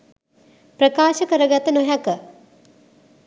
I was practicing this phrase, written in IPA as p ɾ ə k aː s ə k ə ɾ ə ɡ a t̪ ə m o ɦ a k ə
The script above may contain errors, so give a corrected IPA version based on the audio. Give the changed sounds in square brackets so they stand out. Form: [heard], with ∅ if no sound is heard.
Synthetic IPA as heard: p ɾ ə k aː [ʃ] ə k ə ɾ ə ɡ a t̪ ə [n] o ɦ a k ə